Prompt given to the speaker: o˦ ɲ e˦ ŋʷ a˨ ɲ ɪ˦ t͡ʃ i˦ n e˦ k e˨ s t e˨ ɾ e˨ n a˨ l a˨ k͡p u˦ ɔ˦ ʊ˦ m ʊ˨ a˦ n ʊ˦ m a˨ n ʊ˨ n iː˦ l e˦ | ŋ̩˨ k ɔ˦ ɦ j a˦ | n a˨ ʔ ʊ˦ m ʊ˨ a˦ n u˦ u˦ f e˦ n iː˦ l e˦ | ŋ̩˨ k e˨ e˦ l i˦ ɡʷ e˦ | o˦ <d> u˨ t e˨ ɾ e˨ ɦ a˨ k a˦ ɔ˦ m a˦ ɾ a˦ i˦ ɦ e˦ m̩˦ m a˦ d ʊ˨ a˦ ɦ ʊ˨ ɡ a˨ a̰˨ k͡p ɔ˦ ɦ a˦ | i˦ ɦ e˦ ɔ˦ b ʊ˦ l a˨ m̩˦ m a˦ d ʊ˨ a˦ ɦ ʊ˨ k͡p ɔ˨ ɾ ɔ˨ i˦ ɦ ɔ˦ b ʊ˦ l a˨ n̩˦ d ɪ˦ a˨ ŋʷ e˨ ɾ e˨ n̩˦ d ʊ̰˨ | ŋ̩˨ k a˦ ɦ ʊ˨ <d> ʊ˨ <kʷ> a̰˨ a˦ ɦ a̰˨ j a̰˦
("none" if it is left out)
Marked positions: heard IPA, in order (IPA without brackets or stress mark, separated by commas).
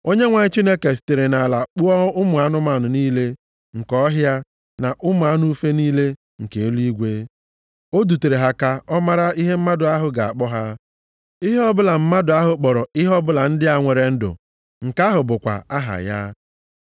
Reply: d, b, kʷ